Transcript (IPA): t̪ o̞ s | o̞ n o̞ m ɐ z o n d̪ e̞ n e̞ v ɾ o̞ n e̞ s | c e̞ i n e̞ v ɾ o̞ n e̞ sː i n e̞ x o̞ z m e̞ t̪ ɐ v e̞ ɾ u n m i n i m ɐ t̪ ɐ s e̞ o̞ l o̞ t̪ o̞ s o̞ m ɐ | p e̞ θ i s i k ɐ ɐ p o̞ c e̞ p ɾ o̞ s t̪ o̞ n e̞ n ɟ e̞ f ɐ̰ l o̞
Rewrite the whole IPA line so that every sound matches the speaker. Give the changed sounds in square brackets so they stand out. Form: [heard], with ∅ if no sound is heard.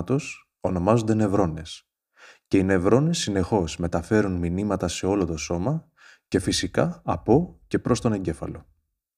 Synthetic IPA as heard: t̪ o̞ s | o̞ n o̞ m ɐ z o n d̪ e̞ n e̞ v ɾ o̞ n e̞ s | c e̞ i n e̞ v ɾ o̞ n e̞ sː i n e̞ x o̞ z m e̞ t̪ ɐ [f] e̞ ɾ u n m i n i m ɐ t̪ ɐ s e̞ o̞ l o̞ t̪ o̞ s o̞ m ɐ | [c] e̞ [f] i s i k ɐ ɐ p o̞ c e̞ p ɾ o̞ s t̪ o̞ n e̞ [ɲ] ɟ e̞ f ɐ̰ l o̞